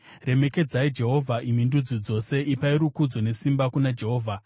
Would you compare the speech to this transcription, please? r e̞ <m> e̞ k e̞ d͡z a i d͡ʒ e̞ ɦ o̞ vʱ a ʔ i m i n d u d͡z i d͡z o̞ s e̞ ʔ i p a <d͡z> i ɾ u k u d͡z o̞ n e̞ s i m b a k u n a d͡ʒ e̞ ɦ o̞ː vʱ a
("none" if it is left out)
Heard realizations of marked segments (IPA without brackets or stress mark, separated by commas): m, none